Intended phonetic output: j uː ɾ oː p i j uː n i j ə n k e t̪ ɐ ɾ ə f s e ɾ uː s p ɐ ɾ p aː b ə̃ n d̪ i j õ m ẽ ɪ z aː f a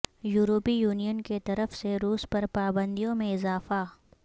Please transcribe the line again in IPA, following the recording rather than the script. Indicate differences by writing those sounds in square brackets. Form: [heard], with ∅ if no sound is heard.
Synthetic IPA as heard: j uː ɾ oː p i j uː n i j ə n k e t̪ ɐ ɾ ə f s e ɾ uː s p ɐ ɾ p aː b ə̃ n d̪ i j õ m ẽ ɪ z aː f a